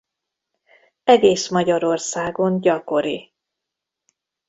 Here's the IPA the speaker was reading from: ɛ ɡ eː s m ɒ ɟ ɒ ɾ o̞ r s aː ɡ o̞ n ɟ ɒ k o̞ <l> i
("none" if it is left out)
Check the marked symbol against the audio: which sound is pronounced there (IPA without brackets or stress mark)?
ɾ